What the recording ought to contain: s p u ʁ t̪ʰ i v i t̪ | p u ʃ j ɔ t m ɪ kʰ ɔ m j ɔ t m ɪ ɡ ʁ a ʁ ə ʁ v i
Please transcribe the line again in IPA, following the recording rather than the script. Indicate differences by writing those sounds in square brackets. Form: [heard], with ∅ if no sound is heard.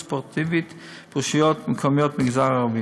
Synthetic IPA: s p [ɔ] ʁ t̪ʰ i v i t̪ | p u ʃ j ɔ t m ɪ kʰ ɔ m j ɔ t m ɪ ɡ [z] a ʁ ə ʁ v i